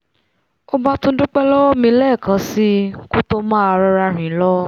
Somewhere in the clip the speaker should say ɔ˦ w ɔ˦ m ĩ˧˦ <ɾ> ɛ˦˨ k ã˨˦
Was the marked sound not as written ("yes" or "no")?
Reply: yes